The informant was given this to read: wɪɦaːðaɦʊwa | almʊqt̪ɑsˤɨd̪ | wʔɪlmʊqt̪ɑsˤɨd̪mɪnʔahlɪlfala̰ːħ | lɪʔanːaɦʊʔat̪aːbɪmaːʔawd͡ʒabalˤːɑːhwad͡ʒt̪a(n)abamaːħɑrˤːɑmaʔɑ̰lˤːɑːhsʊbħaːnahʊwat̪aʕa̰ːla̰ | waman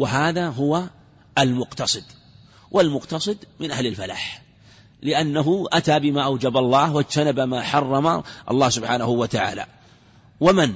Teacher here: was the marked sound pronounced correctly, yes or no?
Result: yes